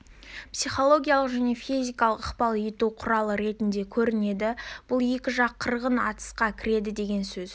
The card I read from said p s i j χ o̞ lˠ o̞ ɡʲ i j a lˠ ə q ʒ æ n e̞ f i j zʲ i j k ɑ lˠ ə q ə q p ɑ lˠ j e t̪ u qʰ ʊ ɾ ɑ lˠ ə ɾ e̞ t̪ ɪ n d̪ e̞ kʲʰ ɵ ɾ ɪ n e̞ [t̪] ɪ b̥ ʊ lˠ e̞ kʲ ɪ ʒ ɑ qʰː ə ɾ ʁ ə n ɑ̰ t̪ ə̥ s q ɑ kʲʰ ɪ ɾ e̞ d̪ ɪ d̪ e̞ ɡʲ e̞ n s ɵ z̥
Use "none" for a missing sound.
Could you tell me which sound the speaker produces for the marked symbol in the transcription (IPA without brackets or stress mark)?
d̪